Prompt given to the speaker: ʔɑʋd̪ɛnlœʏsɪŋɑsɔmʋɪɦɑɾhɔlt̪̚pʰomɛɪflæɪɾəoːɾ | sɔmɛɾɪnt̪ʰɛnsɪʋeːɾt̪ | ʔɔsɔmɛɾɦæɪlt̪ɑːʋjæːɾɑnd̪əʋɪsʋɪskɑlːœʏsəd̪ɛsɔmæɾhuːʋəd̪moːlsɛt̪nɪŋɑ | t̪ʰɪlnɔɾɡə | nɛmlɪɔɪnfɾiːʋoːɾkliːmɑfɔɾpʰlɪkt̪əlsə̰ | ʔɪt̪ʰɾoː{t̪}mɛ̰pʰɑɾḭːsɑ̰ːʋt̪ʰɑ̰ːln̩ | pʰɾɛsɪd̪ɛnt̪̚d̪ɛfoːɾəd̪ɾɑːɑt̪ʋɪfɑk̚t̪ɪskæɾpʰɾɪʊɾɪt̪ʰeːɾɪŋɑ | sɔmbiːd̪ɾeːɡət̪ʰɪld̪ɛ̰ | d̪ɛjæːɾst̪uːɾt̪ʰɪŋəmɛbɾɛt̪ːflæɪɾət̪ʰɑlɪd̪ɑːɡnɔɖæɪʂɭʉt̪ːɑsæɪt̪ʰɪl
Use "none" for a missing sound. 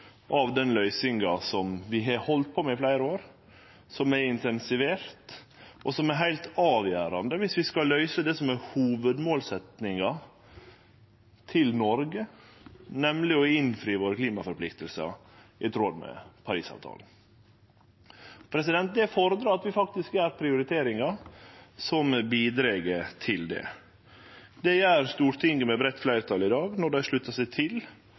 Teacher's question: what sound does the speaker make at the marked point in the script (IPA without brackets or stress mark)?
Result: d̪